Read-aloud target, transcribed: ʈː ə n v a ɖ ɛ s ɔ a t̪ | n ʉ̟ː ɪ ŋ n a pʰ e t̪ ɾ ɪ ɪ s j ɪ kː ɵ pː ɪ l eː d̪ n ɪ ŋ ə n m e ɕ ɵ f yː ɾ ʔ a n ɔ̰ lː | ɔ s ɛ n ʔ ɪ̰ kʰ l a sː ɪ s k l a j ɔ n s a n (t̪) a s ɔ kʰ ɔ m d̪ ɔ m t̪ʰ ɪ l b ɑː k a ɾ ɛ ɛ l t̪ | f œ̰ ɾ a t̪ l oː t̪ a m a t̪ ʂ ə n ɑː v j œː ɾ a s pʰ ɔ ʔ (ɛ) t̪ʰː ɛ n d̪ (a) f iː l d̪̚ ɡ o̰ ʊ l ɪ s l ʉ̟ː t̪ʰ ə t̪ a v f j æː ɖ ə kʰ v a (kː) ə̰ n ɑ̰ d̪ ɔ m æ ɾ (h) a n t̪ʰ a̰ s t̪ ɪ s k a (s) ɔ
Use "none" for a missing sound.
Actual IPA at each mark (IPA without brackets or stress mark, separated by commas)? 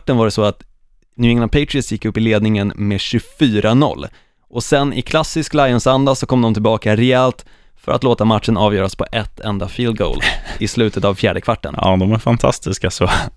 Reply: d̪, ɛ, a, ʈː, f, s